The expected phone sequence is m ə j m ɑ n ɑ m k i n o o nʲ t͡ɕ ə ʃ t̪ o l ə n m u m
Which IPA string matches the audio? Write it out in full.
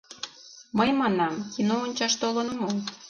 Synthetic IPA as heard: m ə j m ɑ n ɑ m k i n o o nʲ t͡ɕ ɑ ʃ t̪ o l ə n m o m